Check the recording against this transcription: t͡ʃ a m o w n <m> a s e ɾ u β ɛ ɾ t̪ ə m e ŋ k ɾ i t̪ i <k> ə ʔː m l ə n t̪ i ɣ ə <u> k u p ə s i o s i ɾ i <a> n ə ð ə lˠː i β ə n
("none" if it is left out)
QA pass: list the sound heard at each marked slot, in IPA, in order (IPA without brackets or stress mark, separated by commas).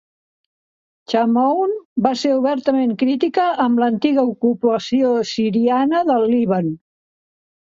b, k, u, a